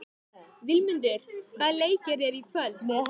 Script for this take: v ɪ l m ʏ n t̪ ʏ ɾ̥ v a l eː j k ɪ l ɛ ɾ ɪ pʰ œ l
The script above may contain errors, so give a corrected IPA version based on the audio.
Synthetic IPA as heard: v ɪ l m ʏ n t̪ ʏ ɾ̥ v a l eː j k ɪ ɾ ɛ ɾ i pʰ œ l